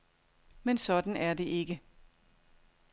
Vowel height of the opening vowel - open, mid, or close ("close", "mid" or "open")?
mid